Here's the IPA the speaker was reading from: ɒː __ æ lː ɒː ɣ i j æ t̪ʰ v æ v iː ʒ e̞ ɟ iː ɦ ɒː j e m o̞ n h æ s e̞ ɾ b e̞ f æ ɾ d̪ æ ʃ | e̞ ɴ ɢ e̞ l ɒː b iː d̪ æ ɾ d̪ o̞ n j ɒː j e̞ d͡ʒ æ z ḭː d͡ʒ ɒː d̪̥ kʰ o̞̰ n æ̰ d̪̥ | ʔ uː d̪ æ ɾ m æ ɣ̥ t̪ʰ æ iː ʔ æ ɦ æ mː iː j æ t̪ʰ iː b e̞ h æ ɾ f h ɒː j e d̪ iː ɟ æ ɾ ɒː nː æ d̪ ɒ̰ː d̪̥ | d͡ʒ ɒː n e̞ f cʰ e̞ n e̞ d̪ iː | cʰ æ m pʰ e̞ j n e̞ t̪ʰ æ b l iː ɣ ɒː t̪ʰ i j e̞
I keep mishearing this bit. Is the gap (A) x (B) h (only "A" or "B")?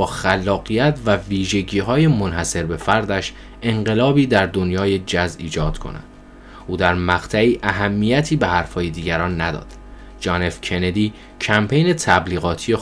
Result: A